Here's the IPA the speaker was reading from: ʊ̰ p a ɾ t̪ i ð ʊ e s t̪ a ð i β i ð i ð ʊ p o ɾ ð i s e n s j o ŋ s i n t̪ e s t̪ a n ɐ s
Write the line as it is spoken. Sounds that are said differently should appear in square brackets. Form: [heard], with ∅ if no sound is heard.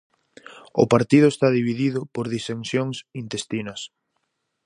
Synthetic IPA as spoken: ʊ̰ p a ɾ t̪ i ð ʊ e s t̪ a ð i β i ð i ð ʊ p o ɾ ð i s e n s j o ŋ s i n t̪ e s t̪ [i] n ɐ s